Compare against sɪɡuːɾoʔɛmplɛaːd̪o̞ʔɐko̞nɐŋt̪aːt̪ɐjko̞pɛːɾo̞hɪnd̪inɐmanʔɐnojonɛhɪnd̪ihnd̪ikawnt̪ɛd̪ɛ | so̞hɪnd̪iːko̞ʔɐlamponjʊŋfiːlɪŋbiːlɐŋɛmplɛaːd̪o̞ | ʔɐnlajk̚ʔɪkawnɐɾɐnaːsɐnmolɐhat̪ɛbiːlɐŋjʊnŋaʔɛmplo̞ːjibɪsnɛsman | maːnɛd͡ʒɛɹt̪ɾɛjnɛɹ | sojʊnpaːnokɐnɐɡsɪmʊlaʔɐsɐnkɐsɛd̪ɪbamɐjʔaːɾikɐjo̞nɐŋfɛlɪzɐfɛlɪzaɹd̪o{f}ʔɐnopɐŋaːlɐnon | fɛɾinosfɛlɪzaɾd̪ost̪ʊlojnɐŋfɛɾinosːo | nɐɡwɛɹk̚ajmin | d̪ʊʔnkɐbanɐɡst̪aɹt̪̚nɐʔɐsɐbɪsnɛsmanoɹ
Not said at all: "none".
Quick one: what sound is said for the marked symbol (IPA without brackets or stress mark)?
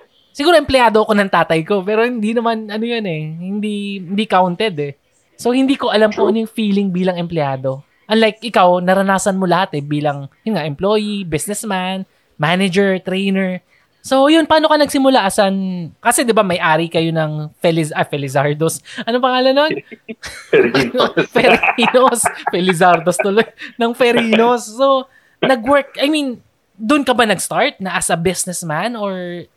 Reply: s